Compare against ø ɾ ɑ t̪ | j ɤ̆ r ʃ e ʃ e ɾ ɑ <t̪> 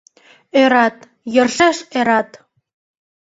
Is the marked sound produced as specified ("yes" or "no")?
yes